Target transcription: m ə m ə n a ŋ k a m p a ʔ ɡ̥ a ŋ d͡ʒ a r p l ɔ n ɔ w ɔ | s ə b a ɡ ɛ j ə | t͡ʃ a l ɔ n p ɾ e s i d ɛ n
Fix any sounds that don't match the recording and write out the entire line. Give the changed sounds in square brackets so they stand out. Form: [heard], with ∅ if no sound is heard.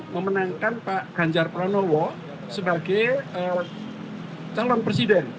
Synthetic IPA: m ə m ə n a ŋ k a [n] p a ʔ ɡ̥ a [ɲ] d͡ʒ a r p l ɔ n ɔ w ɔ | s ə b a ɡ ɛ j ə | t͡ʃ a l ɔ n p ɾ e s i d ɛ n